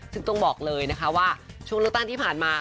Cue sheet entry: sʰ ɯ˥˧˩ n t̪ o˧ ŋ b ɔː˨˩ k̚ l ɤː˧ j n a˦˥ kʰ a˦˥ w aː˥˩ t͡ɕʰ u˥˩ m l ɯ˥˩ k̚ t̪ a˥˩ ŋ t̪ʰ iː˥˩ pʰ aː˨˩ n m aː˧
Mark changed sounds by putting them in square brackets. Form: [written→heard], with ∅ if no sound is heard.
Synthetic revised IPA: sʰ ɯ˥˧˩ [n→ŋ] t̪ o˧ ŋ b ɔː˨˩ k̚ l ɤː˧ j n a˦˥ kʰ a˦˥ w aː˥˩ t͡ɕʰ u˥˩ [m→ŋ] l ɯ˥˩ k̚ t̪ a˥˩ ŋ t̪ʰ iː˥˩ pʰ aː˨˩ n m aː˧